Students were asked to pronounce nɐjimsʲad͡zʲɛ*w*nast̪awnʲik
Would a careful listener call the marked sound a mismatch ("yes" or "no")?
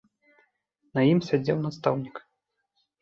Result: no